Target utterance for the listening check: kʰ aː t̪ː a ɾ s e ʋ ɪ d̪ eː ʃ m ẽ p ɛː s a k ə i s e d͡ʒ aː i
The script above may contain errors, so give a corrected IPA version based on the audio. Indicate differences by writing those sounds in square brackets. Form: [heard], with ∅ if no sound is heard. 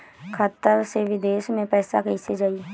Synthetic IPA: kʰ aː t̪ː [ə] ɾ s e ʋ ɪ d̪ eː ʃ m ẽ p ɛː s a k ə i s e d͡ʒ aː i